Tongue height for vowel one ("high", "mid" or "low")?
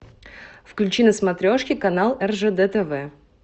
high